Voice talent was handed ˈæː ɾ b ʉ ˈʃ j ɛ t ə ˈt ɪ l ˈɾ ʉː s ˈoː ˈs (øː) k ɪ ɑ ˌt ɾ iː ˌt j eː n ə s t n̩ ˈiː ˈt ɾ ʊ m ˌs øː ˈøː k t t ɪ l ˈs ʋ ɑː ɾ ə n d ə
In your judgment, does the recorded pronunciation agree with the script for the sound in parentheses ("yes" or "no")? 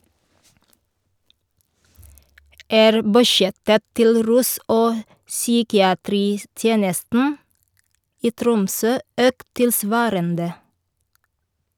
no